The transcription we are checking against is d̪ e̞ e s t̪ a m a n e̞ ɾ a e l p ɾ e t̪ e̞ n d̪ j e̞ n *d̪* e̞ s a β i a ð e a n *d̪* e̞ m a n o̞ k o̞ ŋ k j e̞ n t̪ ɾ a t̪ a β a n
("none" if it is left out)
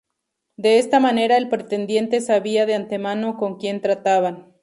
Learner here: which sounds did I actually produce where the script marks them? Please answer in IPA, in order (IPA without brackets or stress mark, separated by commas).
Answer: t̪, t̪